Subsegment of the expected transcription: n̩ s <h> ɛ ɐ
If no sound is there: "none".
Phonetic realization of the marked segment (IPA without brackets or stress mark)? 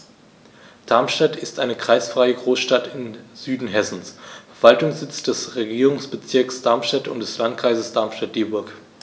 f